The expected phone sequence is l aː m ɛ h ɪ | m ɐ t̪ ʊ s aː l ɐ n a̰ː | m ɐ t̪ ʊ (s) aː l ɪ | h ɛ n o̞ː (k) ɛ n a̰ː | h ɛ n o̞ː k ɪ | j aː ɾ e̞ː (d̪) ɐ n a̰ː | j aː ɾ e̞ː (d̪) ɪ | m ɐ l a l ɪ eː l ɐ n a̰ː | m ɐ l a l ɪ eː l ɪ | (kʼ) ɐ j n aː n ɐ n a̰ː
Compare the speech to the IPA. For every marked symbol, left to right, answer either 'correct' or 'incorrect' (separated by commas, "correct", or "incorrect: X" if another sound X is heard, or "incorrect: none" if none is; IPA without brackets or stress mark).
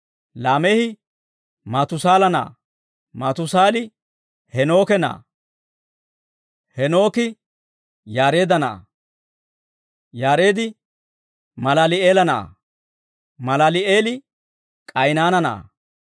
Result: correct, correct, correct, correct, correct